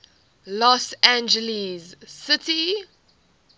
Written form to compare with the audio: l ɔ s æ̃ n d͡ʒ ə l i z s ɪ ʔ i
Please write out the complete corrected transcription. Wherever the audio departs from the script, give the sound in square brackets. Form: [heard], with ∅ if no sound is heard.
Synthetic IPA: l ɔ s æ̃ n d͡ʒ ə l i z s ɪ [t] i